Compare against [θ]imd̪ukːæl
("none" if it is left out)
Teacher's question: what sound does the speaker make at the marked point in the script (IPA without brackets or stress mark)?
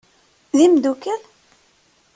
ð